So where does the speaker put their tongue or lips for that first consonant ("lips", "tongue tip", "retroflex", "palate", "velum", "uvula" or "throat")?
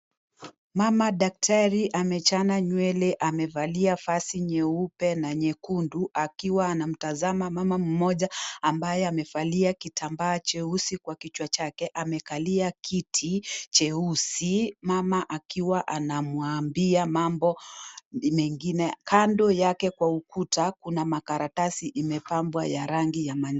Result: lips